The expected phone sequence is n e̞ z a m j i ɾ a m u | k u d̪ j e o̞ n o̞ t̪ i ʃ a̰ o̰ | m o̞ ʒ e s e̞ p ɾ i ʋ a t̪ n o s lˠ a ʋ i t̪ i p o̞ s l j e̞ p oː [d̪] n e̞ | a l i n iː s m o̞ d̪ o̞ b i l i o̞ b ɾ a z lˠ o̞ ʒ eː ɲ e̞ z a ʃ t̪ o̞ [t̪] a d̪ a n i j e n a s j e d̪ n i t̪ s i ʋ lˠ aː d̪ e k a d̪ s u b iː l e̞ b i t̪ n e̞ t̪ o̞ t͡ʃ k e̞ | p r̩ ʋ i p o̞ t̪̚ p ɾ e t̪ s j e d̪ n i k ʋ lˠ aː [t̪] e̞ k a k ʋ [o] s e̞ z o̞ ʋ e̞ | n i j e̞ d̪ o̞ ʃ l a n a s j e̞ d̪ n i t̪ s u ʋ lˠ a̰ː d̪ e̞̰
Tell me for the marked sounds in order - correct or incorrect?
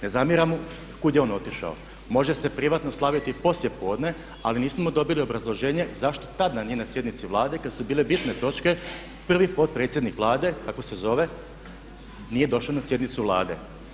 correct, correct, incorrect: d̪, correct

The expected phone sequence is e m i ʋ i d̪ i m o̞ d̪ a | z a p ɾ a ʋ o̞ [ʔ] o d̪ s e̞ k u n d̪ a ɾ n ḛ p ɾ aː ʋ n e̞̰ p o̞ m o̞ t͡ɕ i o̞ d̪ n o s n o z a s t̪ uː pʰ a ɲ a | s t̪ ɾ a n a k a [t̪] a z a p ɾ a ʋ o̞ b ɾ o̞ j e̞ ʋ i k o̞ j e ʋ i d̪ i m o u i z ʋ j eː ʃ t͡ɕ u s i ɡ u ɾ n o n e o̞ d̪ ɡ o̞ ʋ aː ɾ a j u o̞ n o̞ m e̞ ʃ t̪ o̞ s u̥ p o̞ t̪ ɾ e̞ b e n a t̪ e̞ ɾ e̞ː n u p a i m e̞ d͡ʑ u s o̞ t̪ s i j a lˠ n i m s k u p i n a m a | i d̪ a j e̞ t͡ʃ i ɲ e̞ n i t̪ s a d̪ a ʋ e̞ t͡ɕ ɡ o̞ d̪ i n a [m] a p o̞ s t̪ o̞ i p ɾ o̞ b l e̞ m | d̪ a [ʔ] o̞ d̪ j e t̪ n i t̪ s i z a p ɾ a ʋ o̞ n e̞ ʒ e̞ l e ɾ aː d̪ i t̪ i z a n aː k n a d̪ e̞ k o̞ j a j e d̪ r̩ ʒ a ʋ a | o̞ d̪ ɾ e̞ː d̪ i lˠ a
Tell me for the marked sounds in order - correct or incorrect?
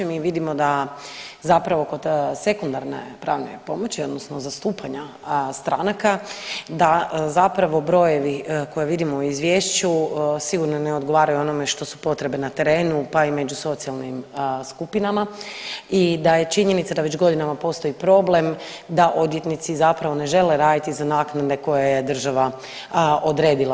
incorrect: k, incorrect: d̪, correct, correct

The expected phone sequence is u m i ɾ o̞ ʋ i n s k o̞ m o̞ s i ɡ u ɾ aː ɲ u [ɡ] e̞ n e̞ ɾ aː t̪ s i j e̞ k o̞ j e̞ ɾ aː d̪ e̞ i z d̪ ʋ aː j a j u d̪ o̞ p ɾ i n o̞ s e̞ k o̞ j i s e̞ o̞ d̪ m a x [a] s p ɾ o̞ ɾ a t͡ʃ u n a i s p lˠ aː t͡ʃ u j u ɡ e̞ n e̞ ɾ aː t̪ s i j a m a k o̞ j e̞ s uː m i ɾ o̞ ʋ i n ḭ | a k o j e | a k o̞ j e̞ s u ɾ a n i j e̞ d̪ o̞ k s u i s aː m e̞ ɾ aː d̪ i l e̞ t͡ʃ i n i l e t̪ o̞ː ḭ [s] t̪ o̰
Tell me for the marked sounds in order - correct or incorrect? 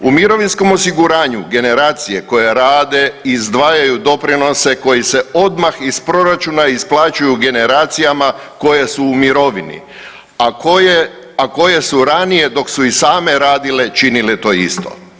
correct, incorrect: i, correct

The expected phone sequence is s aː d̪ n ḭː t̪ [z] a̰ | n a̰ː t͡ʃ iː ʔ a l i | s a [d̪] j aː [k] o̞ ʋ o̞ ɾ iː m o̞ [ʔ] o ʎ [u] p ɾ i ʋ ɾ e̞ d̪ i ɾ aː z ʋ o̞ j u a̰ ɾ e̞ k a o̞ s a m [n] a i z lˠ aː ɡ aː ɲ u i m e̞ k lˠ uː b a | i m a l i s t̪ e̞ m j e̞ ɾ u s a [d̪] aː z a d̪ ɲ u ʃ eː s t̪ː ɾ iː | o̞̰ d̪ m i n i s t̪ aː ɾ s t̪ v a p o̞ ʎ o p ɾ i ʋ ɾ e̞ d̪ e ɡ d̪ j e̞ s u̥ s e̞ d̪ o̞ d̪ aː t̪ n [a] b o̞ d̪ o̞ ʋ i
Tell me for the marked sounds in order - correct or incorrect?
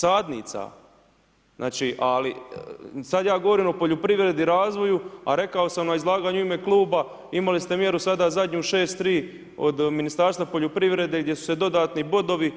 incorrect: s, correct, incorrect: ɡ, incorrect: p, incorrect: o, correct, correct, incorrect: i

